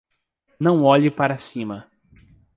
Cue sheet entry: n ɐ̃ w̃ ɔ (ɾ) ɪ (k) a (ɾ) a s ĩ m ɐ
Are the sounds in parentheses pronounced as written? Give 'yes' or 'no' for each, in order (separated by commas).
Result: no, no, yes